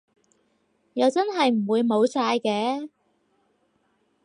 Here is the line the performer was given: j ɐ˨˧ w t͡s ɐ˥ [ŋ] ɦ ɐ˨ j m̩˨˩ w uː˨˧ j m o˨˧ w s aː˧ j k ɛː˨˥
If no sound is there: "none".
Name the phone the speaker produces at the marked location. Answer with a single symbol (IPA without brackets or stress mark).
n